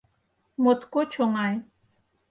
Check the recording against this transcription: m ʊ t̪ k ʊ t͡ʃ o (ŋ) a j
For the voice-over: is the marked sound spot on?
yes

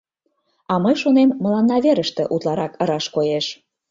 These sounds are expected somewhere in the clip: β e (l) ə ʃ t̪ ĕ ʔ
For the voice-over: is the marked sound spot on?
no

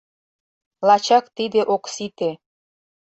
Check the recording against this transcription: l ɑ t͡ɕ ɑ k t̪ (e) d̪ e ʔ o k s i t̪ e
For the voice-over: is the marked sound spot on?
no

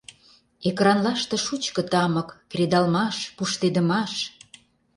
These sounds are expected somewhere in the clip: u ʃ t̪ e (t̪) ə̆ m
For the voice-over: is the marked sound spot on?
no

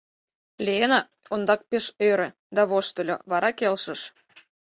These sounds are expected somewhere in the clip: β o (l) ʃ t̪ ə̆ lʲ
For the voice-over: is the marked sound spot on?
no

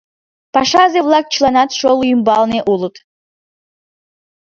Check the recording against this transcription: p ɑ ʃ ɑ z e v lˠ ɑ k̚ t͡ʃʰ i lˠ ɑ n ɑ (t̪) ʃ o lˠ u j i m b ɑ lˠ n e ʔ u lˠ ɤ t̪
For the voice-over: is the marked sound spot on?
yes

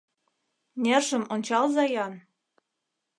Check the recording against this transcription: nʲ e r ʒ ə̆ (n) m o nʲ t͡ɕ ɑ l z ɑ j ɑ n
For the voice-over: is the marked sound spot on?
no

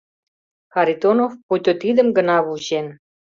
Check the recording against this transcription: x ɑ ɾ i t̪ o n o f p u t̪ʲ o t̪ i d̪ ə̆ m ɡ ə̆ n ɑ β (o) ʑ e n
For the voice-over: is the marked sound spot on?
no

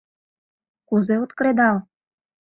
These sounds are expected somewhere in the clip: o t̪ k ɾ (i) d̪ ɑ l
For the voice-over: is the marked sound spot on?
no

